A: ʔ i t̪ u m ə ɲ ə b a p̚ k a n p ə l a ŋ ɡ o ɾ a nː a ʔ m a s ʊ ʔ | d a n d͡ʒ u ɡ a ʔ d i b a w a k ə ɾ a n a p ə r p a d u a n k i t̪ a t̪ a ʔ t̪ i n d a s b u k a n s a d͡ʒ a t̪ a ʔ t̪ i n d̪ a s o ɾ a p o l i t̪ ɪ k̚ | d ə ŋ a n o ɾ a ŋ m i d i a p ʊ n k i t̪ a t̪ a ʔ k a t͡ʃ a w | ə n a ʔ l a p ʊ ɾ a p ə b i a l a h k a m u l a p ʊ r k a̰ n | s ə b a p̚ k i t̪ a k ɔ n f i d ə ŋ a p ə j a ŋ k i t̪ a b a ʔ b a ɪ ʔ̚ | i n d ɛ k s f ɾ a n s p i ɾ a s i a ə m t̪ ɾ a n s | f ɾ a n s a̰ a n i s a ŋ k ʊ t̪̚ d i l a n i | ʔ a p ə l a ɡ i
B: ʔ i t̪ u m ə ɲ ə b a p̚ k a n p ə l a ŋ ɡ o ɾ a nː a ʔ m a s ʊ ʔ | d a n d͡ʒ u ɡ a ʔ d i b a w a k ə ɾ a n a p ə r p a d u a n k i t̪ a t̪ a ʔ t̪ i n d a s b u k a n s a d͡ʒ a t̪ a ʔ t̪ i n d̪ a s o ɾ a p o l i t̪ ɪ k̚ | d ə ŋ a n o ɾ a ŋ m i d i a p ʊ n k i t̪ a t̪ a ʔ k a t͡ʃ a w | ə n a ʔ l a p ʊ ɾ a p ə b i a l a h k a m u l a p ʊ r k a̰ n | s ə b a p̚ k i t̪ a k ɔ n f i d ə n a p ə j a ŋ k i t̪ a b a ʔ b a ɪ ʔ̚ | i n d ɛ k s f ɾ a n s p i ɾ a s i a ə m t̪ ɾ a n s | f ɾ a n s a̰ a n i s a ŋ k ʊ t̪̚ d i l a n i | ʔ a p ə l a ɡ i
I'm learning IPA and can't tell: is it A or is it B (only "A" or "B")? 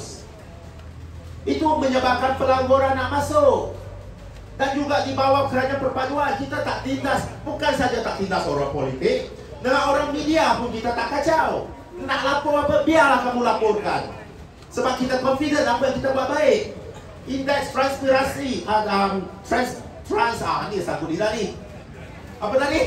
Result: B